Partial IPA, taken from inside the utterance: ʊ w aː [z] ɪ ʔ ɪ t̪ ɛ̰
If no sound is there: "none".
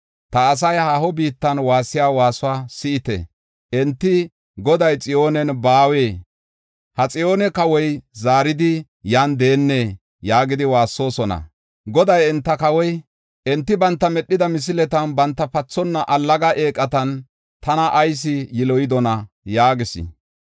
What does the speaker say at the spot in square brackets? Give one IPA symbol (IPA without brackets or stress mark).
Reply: s